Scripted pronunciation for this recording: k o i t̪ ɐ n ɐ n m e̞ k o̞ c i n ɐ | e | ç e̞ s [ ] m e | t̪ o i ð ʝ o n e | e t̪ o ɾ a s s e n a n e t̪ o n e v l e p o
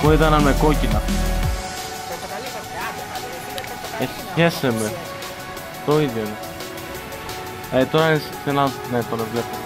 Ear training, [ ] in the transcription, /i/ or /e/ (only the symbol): e